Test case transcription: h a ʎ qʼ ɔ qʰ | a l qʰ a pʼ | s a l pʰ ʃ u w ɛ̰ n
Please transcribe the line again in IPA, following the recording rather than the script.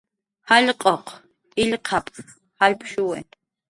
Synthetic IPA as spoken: h a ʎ qʼ ɔ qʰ | i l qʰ a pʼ | h a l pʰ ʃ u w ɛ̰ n